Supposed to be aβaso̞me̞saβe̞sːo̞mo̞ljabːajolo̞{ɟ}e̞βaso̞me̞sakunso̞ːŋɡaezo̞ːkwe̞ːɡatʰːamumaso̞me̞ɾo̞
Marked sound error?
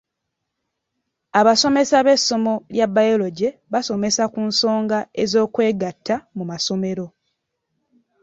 no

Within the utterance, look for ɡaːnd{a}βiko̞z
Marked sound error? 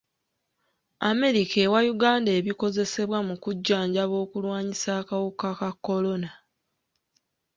yes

